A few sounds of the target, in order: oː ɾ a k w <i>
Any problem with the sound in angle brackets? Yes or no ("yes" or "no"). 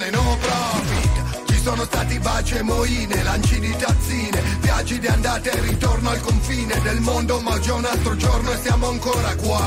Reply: yes